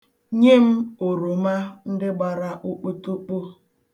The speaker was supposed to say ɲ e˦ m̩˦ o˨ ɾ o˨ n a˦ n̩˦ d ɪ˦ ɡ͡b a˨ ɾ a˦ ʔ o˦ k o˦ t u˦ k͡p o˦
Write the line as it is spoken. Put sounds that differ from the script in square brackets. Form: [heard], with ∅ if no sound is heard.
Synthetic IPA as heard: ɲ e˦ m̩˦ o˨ ɾ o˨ [m] a˦ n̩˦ d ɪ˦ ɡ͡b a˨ ɾ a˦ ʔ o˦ [k͡p] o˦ t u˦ k͡p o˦